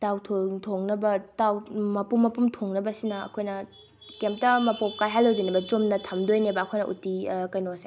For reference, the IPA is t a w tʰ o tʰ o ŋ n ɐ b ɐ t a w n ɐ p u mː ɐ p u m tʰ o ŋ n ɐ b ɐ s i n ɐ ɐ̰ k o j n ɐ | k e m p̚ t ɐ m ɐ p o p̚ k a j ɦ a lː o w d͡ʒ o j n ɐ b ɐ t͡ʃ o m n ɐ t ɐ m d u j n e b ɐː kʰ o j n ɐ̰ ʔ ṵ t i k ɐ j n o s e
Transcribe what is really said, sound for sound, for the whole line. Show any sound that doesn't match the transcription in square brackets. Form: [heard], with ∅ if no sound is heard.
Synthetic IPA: t a w tʰ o tʰ o ŋ n ɐ b ɐ t a w [m] ɐ p u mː ɐ p u m tʰ o ŋ n ɐ b ɐ s i n ɐ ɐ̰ [kʰ] o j n ɐ | k e m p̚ t ɐ m ɐ p o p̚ k a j ɦ a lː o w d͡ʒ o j n ɐ b ɐ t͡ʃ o m n ɐ [tʰ] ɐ m d [o] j n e b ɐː kʰ o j n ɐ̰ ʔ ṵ t i k ɐ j n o s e